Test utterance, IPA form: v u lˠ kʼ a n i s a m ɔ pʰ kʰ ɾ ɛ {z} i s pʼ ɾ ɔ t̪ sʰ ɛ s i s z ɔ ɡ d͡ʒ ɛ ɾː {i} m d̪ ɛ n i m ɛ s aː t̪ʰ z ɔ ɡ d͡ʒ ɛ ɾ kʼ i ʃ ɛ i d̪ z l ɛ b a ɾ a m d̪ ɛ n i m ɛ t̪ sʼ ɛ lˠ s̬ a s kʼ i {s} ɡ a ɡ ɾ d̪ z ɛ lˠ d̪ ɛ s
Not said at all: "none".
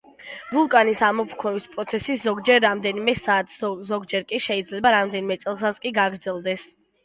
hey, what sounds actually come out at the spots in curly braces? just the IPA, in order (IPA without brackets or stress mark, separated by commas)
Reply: v, a, none